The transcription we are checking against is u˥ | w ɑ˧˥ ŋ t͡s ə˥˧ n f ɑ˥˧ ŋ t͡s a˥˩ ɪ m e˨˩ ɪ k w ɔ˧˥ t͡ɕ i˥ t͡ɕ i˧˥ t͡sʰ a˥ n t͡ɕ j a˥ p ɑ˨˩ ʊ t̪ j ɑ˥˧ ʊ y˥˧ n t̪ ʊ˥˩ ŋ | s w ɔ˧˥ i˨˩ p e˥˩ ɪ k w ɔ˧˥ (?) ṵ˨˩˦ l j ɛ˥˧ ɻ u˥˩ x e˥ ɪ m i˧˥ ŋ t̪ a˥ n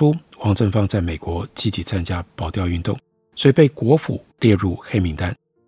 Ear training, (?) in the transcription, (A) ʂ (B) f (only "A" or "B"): B